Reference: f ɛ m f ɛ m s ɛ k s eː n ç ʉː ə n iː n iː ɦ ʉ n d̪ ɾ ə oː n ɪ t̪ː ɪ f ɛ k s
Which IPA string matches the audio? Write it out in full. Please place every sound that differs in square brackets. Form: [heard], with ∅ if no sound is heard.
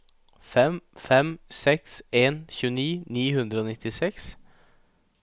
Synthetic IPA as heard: f ɛ m f ɛ m s ɛ k s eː n ç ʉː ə n iː n iː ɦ ʉ n d̪ ɾ ə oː n ɪ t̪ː ɪ [s] ɛ k s